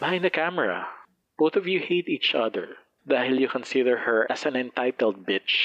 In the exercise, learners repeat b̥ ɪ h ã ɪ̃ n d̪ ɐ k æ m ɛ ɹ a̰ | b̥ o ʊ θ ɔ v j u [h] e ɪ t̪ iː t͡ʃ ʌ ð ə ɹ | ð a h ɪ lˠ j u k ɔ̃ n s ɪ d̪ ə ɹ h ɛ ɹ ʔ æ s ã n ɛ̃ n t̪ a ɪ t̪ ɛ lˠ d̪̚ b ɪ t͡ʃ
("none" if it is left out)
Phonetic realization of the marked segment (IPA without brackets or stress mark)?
h